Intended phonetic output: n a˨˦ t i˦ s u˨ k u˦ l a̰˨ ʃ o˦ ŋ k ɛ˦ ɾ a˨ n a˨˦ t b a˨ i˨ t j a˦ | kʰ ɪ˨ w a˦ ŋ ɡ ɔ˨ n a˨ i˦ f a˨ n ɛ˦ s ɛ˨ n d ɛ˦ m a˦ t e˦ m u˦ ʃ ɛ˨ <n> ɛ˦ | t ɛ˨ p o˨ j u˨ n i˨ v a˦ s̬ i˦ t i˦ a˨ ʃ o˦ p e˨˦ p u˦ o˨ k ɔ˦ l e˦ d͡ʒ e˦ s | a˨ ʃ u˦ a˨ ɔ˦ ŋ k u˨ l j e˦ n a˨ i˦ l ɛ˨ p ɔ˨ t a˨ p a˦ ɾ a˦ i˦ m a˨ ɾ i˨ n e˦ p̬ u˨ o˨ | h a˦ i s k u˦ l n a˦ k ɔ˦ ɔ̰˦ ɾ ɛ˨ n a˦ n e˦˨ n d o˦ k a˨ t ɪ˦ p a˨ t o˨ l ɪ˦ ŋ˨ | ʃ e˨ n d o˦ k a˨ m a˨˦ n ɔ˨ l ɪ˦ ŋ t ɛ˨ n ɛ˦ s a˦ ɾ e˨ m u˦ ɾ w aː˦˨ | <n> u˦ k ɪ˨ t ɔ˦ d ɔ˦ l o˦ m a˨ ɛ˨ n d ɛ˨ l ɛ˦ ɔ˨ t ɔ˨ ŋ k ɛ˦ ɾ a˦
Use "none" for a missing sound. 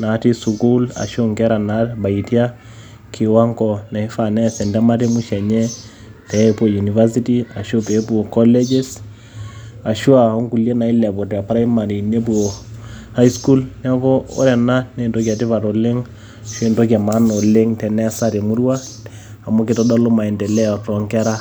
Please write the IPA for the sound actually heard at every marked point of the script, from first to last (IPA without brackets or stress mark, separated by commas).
ɲ, m